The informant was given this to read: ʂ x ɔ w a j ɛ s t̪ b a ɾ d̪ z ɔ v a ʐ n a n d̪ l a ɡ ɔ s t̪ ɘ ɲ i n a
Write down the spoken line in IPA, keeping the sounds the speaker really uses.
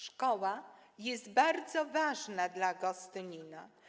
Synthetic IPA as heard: ʂ k ɔ w a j ɛ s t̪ b a ɾ d̪ z ɔ v a ʐ n a d̪ l a ɡ ɔ s t̪ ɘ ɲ i n a